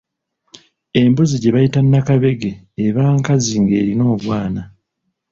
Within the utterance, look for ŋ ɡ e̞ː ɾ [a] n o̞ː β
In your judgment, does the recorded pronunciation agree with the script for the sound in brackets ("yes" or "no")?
no